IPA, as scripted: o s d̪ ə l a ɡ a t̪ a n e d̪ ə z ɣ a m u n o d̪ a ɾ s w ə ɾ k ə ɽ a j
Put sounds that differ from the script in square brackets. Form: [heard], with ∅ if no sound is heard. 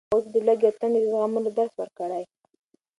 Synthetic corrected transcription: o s d̪ ə l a ɡ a t̪ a n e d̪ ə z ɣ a m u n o d̪ a ɾ s w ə ɾ k ə ɽ a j